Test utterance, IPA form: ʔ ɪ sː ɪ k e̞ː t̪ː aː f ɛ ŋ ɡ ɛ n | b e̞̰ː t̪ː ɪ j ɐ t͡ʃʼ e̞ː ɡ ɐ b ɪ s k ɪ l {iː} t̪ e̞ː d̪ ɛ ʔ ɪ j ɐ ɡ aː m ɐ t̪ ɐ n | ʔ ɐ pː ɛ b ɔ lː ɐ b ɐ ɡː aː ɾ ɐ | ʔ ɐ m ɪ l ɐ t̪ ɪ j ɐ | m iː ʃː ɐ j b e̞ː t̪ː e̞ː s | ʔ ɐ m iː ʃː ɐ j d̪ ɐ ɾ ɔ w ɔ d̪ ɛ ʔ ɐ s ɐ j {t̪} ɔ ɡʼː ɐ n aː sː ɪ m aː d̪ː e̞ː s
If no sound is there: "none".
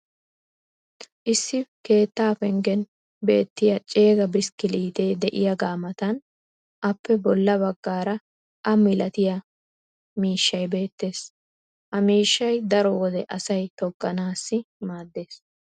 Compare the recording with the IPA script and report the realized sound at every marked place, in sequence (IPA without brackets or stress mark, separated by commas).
iː, t̪